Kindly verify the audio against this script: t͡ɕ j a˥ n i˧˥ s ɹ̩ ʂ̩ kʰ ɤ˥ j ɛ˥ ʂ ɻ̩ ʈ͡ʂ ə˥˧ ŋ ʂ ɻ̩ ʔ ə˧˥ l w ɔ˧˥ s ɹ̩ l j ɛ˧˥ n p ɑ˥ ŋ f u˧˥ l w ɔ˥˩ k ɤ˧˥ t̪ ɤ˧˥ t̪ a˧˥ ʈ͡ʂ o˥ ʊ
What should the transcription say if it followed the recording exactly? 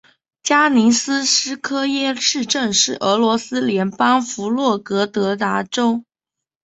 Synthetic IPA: t͡ɕ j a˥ n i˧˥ s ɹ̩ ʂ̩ kʰ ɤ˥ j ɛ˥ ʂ ɻ̩ ʈ͡ʂ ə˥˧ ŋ ʂ ɻ̩ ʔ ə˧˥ l w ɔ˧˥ s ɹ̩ l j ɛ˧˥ n p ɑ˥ ŋ f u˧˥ l w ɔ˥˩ k ɤ˧˥ t̪ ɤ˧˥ t̪ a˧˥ ʈ͡ʂ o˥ ʊ